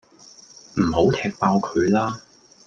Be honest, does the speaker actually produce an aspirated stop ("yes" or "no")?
yes